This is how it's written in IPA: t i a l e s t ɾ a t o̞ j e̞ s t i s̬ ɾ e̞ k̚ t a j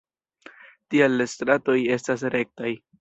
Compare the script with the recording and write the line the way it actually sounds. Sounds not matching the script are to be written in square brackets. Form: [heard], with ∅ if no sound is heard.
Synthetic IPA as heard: t i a l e s t ɾ a t o̞ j e̞ s t [a] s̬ ɾ e̞ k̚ t a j